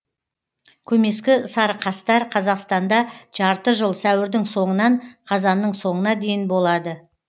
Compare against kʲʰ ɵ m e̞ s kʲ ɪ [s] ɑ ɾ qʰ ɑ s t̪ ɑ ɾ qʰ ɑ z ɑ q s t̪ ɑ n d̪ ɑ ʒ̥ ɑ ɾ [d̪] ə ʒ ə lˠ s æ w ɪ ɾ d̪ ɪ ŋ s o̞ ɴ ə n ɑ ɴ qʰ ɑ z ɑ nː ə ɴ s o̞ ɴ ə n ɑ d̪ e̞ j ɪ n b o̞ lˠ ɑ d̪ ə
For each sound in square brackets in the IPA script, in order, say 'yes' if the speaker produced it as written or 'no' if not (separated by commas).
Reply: yes, no